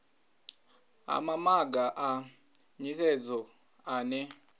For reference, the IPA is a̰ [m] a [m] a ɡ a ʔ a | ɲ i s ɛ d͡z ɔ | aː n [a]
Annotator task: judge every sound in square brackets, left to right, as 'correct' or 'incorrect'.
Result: correct, correct, incorrect: ɛ

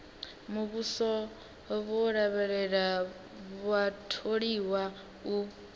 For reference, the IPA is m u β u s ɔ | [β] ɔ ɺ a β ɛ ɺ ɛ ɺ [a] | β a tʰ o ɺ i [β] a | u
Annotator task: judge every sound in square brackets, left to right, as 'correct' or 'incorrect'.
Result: correct, correct, incorrect: w

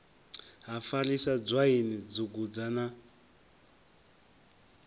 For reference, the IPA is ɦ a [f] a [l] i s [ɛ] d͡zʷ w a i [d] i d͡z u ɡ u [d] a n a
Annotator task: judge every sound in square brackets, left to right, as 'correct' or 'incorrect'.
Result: correct, correct, incorrect: a, incorrect: n, incorrect: d͡z

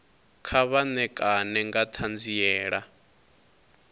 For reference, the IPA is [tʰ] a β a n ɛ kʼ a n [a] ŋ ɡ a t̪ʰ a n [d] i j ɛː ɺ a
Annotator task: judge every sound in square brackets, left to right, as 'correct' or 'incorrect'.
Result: incorrect: kʰ, incorrect: ɛ, incorrect: d͡z

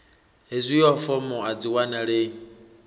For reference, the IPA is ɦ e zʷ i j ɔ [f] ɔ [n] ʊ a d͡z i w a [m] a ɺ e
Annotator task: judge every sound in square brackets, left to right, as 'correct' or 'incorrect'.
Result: correct, incorrect: m, incorrect: n

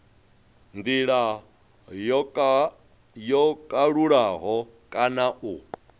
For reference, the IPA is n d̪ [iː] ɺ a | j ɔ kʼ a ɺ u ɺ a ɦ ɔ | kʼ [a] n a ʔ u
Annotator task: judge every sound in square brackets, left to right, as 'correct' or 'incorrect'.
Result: incorrect: i, correct

